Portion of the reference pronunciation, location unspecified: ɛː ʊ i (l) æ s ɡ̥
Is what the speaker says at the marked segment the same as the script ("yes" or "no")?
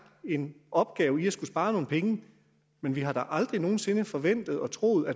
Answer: no